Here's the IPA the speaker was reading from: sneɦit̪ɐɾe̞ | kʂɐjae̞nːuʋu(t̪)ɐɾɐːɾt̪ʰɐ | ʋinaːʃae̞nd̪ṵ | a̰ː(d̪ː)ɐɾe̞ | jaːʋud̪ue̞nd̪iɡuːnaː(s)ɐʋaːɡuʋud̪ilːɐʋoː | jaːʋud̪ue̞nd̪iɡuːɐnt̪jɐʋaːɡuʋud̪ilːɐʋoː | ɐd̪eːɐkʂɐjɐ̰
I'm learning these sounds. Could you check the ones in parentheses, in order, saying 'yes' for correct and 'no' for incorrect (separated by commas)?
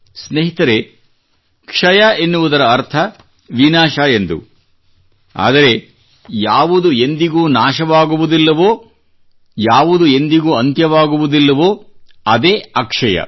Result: no, no, no